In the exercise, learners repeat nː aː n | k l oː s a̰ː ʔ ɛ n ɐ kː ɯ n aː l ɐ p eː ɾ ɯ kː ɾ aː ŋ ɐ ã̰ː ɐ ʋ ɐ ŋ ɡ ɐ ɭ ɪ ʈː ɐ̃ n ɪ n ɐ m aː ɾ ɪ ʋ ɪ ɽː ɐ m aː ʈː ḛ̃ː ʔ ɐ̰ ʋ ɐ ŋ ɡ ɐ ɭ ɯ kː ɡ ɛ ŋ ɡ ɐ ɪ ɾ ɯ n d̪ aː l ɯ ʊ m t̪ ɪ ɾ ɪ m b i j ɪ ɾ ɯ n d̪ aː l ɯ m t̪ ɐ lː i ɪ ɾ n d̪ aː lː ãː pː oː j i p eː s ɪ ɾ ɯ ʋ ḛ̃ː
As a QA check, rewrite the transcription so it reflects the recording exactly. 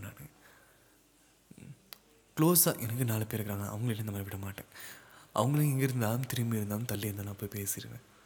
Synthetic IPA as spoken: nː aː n | k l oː s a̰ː ʔ ɛ n ɐ kː ɯ n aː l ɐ p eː ɾ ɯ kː ɾ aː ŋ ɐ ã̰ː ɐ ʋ ɐ ŋ ɡ ɐ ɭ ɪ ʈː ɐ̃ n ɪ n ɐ m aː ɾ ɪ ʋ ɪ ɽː ɐ m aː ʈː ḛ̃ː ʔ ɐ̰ ʋ ɐ ŋ ɡ ɐ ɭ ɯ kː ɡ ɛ ŋ ɡ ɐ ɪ ɾ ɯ n d̪ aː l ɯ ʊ m t̪ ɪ ɾ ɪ m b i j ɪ ɾ ɯ n d̪ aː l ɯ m t̪ ɐ lː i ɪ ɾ n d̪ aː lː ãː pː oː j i p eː s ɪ ɾ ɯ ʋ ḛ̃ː